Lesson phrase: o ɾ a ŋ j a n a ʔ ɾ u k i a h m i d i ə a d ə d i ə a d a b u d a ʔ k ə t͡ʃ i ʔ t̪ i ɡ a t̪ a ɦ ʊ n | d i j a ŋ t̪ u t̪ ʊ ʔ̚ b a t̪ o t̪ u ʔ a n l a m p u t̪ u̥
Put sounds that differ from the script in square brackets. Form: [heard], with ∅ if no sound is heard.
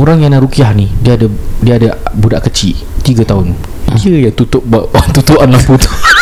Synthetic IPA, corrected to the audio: o ɾ a ŋ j a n a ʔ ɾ u k i a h [n] i d i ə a d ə d i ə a d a b u d a ʔ k ə t͡ʃ i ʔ t̪ i ɡ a t̪ a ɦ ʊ n | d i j a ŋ t̪ u t̪ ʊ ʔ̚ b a t̪ [u] t̪ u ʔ a n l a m p u t̪ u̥